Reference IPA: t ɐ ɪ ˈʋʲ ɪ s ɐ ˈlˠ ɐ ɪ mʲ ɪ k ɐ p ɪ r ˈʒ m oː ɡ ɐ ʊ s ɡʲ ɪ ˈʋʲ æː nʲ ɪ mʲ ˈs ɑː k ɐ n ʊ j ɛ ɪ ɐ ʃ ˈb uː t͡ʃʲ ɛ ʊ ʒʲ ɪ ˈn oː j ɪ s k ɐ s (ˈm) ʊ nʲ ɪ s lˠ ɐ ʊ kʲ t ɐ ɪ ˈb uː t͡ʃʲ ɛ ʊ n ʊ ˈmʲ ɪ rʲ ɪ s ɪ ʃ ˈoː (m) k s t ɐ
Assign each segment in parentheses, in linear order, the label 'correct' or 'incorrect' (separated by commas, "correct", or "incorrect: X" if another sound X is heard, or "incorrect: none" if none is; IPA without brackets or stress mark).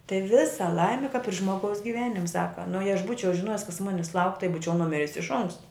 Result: correct, incorrect: ŋ